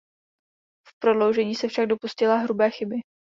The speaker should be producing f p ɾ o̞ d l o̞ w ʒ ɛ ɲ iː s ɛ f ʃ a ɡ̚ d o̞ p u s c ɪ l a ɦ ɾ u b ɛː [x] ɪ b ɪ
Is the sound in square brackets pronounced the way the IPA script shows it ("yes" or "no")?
yes